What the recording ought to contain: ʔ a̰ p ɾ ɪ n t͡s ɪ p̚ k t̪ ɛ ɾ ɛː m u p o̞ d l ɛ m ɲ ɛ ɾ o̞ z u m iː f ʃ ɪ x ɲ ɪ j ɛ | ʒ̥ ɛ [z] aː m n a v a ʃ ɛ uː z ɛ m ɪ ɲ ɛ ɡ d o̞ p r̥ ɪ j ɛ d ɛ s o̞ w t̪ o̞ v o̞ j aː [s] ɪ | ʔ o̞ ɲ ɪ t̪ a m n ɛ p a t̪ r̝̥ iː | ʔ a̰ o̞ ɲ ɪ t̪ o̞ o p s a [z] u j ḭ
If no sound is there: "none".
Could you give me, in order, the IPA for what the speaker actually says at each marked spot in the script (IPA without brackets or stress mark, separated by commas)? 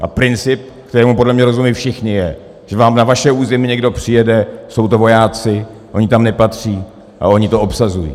v, t͡s, z